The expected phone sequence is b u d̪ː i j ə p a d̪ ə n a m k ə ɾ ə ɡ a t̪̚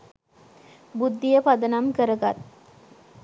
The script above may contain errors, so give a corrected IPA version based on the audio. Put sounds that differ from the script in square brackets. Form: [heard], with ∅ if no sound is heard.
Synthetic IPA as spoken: b u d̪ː i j ə p a d̪ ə n a m k ə ɾ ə ɡ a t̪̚